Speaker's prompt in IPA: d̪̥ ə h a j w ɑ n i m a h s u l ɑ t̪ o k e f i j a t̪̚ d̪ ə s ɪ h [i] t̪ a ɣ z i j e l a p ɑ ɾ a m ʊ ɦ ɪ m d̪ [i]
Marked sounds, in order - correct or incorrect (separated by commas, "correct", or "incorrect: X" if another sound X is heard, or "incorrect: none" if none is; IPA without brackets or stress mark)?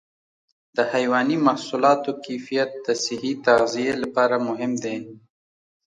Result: correct, incorrect: e